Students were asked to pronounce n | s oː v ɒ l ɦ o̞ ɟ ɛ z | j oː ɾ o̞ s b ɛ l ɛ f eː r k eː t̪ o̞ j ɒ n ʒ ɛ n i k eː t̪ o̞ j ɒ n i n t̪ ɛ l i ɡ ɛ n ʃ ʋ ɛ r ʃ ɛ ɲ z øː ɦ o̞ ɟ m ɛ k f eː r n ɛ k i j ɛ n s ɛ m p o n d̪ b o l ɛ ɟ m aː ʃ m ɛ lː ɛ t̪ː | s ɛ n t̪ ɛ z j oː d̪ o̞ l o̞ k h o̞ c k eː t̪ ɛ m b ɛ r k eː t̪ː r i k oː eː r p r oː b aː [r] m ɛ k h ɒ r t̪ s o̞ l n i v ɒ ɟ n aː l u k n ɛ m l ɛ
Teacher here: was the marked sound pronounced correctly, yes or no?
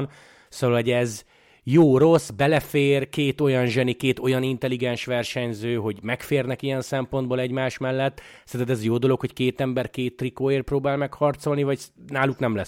no